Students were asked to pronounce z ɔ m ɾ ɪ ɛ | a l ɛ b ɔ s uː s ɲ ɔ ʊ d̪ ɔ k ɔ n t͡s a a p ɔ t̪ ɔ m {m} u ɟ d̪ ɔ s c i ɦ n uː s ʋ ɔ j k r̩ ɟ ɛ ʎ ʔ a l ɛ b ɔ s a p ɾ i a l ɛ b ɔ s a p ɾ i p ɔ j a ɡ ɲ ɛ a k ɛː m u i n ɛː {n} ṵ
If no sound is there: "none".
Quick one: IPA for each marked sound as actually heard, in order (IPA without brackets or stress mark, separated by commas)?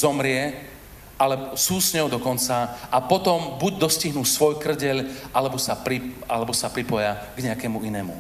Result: b, m